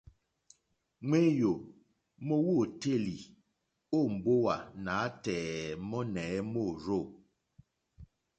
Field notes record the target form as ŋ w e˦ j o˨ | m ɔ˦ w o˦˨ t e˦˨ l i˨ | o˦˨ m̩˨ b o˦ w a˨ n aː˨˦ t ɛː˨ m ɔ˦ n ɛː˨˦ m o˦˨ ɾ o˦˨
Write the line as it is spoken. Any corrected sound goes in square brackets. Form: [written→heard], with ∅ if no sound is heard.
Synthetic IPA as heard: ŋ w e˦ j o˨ | m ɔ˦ w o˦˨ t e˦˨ l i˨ | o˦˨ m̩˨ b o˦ w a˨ n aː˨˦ t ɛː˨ m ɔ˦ n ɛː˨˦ m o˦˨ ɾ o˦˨